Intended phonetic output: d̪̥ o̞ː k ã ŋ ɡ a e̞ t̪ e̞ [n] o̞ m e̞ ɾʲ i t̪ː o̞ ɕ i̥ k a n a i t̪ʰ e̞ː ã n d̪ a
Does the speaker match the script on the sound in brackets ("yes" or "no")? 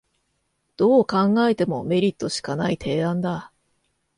no